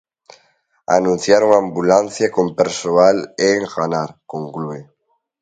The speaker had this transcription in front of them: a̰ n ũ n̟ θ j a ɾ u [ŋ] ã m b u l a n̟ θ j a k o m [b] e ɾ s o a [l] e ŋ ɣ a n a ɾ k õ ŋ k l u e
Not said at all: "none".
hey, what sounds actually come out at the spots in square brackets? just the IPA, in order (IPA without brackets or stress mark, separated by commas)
ŋ, p, l